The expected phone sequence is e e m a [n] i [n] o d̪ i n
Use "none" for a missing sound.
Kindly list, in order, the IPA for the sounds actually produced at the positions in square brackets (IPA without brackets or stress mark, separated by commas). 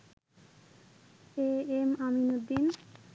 m, n